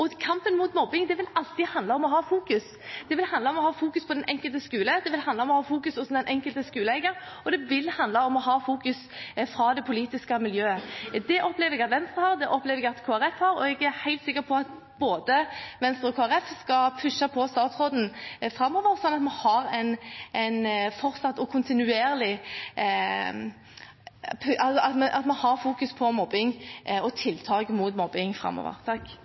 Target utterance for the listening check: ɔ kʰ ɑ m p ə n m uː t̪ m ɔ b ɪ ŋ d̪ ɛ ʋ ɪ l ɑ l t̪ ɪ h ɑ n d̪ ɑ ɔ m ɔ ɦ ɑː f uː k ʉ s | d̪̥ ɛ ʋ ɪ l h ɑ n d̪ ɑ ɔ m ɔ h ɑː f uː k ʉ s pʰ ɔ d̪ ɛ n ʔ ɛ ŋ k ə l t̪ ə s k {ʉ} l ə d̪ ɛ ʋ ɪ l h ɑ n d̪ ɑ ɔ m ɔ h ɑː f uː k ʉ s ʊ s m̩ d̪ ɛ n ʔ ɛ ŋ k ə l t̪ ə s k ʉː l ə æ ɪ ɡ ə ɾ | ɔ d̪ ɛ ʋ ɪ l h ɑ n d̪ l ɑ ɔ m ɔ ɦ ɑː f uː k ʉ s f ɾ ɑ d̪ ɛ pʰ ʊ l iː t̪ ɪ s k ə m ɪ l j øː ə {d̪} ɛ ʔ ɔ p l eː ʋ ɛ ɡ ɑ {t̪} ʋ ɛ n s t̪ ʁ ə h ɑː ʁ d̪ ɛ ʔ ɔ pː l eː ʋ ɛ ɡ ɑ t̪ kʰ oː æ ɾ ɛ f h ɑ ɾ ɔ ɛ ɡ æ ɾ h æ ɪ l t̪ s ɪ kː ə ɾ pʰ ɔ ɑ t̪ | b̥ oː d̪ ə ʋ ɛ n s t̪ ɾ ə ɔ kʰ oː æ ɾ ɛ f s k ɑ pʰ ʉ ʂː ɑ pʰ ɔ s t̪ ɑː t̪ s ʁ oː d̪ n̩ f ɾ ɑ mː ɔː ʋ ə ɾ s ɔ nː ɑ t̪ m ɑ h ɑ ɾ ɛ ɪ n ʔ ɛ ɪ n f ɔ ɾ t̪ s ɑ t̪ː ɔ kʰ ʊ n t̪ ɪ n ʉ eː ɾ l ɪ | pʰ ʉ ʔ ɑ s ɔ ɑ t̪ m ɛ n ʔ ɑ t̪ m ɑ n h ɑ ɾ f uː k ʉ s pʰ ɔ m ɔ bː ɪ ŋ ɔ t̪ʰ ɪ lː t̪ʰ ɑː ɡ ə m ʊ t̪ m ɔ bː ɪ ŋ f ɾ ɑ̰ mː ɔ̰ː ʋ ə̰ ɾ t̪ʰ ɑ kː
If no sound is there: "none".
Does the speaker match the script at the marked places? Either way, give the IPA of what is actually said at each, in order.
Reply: ʉː, d̪, t̪

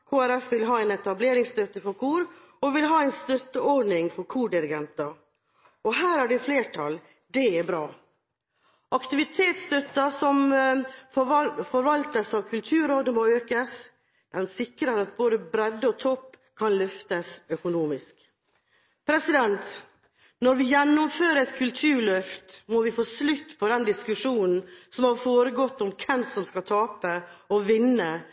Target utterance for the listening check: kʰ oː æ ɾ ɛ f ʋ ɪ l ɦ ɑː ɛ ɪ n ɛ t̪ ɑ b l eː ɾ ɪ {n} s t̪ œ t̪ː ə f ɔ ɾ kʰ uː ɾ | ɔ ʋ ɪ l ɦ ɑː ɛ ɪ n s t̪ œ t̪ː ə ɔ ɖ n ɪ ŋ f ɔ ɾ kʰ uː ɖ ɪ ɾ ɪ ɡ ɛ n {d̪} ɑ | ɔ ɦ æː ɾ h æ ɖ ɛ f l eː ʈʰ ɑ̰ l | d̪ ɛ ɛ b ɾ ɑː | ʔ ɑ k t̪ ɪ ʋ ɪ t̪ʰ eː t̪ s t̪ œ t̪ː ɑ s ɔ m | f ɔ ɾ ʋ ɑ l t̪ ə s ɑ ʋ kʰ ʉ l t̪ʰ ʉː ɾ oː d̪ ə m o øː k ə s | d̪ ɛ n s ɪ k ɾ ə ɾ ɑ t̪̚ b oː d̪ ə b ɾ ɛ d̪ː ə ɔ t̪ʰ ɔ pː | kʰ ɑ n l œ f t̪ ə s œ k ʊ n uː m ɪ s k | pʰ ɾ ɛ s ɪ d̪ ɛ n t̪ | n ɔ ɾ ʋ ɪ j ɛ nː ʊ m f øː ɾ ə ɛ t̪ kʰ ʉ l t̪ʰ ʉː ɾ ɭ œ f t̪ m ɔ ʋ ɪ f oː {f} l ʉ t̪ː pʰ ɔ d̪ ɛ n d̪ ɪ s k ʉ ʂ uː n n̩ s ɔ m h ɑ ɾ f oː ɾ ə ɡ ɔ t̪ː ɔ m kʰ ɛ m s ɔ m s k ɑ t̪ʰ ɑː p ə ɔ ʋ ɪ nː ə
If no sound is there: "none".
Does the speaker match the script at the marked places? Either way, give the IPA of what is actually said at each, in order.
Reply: ŋ, t̪, s

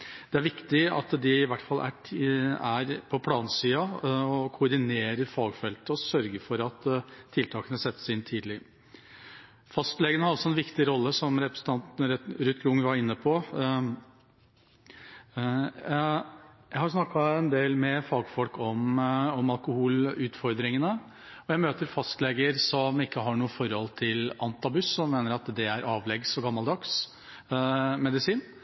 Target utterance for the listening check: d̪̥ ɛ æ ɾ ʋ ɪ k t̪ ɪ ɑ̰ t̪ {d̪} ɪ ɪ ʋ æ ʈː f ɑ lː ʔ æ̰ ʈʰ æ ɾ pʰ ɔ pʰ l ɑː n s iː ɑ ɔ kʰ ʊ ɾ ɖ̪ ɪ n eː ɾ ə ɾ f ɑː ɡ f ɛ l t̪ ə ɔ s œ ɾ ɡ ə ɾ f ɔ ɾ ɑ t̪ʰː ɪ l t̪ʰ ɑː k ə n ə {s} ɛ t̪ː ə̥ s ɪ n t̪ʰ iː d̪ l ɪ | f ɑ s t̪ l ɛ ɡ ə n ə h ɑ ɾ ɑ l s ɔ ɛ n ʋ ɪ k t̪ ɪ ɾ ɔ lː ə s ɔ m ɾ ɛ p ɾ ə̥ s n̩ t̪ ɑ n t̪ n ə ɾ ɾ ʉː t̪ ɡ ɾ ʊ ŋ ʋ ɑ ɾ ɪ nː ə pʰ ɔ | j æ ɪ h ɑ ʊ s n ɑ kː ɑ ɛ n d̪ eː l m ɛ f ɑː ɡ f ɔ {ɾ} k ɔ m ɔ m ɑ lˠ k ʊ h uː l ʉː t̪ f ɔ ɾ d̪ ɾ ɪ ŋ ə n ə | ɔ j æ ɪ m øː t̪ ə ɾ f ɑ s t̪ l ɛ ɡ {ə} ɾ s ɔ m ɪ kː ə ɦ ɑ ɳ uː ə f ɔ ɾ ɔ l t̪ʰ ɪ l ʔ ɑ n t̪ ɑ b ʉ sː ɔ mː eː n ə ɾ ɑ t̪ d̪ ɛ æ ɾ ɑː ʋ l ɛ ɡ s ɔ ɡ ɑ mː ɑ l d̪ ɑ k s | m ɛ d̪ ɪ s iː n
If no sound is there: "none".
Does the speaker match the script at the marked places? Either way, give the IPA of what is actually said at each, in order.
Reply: d̪, s, l, ə

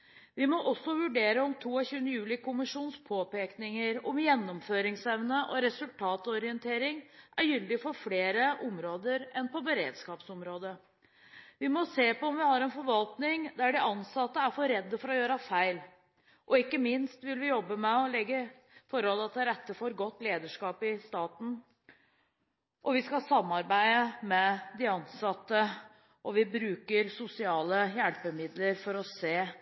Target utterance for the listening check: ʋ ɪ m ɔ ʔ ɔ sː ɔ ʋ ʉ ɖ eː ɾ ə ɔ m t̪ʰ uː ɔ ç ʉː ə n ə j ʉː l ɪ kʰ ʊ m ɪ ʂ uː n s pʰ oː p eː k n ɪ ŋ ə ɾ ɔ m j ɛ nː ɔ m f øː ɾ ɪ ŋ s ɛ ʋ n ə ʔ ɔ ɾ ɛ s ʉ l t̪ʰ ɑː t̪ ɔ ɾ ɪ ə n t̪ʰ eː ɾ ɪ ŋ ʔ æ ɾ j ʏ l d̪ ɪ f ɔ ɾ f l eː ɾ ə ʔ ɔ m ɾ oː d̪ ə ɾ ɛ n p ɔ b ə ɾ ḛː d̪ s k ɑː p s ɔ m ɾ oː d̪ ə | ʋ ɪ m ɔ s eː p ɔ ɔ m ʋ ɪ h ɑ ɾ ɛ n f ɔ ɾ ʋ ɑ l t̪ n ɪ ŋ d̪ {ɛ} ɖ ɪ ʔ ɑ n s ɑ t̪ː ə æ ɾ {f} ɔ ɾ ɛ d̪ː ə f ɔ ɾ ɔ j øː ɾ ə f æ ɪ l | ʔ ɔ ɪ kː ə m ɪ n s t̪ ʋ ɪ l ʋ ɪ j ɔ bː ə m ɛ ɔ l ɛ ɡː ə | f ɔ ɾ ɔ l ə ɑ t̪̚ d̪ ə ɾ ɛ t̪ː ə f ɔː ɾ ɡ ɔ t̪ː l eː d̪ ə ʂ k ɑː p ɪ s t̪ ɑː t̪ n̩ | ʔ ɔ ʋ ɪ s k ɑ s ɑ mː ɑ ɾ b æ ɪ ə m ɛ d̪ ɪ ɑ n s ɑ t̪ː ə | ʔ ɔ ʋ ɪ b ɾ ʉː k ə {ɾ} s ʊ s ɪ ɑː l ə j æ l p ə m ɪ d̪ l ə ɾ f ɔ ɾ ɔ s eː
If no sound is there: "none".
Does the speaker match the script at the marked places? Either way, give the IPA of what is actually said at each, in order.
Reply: æ, f, ɾ

